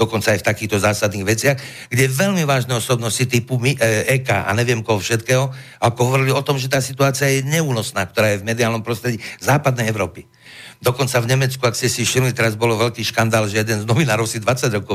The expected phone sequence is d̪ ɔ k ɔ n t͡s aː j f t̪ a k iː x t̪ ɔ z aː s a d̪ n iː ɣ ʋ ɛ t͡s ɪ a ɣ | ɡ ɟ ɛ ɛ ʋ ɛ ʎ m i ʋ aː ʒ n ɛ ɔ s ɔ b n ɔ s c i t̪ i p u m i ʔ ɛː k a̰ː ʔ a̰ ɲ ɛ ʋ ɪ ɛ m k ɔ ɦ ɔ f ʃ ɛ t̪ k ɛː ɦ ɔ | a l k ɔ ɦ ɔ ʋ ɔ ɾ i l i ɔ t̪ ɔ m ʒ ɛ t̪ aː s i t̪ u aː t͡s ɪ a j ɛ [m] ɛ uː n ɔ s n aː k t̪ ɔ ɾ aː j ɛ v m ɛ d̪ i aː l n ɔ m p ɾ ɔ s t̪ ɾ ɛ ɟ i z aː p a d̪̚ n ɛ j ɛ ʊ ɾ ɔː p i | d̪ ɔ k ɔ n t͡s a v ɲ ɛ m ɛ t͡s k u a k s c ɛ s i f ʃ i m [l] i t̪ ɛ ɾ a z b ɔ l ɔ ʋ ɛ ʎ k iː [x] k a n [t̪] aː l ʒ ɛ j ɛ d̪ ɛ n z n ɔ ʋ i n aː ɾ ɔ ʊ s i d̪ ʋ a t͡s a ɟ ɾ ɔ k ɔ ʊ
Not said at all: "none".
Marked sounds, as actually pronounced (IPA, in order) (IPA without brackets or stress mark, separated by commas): ɲ, l, ʃ, d̪